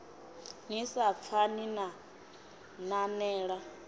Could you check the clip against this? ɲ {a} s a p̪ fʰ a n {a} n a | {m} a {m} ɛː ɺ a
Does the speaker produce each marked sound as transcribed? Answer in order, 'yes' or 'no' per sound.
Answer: no, no, no, no

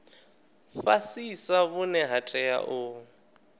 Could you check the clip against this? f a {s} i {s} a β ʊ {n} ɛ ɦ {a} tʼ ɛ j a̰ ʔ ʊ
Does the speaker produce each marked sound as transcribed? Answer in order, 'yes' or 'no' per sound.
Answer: yes, yes, yes, yes

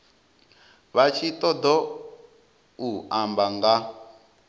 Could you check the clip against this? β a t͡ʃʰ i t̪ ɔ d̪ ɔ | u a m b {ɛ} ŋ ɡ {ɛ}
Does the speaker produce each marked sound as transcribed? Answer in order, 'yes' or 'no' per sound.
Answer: no, no

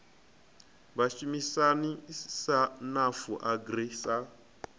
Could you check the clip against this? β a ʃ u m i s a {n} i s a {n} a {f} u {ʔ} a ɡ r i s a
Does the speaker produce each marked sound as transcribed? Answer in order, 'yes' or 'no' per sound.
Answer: yes, yes, yes, yes

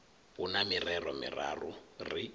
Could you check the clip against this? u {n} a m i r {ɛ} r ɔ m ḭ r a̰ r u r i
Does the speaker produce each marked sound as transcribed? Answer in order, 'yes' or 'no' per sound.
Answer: yes, yes

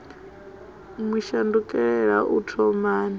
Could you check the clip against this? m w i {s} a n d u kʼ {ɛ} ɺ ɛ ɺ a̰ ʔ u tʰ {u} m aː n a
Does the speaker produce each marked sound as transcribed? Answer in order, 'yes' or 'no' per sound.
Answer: no, yes, no

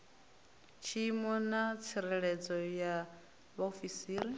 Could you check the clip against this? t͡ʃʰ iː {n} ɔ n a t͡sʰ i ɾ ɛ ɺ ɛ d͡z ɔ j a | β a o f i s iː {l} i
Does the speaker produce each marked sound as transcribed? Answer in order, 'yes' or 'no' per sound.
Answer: no, no

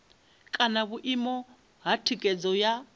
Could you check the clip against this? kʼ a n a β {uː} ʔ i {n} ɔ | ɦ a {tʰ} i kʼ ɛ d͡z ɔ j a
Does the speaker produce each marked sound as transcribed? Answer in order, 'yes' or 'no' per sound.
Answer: no, no, yes

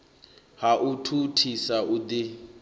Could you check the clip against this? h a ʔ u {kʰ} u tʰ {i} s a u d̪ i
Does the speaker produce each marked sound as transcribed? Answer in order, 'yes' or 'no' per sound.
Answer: no, yes

